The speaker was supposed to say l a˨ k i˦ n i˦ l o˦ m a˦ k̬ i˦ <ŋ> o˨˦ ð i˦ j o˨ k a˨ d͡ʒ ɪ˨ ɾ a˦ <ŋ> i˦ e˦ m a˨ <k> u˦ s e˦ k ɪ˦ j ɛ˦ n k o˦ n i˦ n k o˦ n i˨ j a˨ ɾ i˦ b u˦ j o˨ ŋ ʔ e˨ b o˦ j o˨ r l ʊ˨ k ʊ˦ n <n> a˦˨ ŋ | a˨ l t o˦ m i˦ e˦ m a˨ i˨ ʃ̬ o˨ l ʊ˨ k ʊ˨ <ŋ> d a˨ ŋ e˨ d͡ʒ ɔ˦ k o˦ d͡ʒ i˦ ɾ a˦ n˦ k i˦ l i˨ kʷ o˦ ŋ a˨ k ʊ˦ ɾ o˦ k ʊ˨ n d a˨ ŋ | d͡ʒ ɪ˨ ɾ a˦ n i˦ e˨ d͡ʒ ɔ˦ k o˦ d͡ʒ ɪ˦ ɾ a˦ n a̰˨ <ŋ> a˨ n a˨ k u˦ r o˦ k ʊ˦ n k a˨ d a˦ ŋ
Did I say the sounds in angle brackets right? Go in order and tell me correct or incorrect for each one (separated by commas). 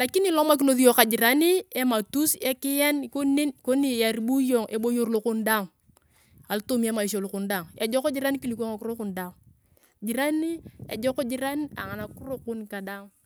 incorrect, incorrect, incorrect, incorrect, incorrect, correct